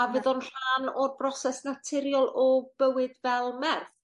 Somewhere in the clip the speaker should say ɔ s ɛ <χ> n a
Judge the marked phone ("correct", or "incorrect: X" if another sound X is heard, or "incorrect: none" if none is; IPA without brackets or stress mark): incorrect: s